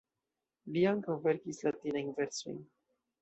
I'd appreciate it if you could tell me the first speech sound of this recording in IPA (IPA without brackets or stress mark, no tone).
l